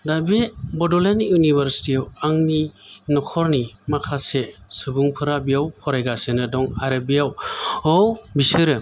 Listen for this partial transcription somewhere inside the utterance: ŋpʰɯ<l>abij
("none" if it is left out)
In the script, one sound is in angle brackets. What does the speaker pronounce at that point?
ɾ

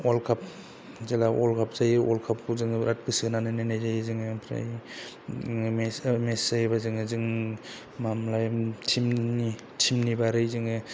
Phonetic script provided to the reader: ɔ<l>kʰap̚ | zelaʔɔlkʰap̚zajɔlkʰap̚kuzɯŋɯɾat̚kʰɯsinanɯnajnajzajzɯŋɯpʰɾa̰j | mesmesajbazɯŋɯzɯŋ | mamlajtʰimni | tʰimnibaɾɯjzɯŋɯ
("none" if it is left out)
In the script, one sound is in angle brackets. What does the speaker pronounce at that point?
l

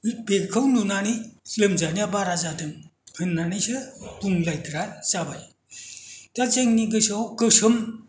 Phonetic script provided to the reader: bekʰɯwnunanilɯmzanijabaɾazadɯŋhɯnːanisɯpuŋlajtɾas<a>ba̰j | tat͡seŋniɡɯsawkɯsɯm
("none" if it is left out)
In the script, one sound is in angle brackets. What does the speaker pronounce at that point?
a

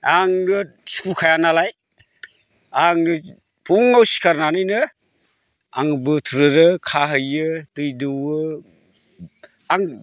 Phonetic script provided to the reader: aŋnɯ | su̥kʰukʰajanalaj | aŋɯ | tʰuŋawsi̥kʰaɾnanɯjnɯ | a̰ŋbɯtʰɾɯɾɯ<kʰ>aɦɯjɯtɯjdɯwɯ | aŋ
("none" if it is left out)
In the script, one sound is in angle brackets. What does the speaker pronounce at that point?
kʰ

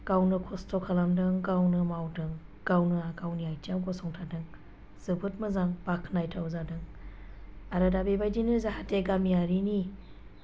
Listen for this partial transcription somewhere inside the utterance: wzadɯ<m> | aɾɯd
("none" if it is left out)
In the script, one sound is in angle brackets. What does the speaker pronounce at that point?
ŋ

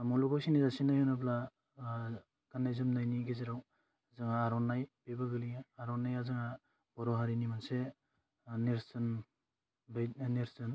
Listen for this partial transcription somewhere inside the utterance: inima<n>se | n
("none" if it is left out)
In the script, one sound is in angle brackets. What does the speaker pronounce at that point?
n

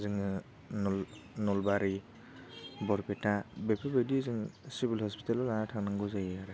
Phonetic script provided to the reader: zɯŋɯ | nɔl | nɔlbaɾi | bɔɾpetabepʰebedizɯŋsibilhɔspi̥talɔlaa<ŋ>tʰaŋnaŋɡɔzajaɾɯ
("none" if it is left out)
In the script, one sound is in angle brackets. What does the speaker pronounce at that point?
none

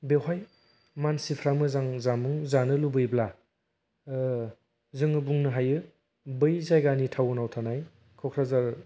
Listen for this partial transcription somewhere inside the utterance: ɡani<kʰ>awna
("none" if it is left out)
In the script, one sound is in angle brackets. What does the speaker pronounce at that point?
tʰ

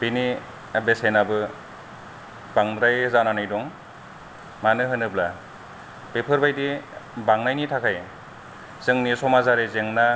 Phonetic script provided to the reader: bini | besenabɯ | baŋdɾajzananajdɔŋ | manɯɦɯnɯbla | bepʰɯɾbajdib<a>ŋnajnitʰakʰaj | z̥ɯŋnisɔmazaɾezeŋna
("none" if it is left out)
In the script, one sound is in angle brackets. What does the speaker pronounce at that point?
a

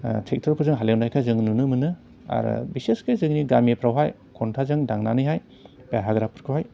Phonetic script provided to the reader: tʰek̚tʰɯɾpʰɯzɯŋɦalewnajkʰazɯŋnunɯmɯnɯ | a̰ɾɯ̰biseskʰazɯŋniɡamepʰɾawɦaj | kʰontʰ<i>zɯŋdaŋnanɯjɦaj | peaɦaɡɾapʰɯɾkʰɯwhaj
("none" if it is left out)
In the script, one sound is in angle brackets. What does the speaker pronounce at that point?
a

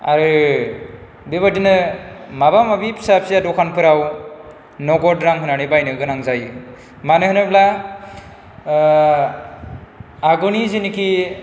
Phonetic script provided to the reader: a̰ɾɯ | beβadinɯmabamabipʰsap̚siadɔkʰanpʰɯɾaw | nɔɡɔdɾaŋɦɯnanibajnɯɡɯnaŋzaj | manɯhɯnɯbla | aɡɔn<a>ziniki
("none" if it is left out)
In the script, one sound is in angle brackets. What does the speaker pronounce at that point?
i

